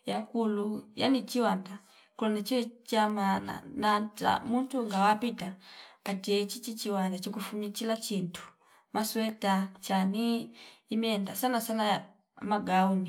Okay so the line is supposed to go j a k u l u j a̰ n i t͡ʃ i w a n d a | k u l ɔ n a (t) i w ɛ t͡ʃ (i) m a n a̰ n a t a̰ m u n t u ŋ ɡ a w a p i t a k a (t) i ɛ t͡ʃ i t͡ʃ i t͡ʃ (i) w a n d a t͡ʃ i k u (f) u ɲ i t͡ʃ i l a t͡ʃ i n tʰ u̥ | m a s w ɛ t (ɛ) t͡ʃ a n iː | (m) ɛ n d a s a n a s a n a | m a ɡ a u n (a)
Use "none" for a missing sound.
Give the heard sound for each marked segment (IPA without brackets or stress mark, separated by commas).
t͡ʃ, a, t, i, f, a, m, i